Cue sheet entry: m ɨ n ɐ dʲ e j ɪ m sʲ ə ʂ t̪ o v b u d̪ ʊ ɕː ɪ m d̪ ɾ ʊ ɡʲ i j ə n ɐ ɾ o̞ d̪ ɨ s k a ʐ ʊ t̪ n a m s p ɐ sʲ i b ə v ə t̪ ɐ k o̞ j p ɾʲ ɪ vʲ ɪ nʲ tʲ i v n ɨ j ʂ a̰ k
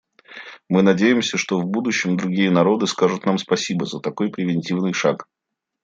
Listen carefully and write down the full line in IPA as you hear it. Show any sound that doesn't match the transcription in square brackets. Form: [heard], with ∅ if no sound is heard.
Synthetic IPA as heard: m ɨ n ɐ dʲ e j ɪ m sʲ ə ʂ t̪ o v b u d̪ ʊ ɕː ɪ m d̪ ɾ ʊ ɡʲ i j ə n ɐ ɾ o̞ d̪ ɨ s k a ʐ ʊ t̪ n a m s p ɐ sʲ i b ə [z] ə t̪ ɐ k o̞ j p ɾʲ ɪ vʲ ɪ nʲ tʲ i v n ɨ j ʂ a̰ k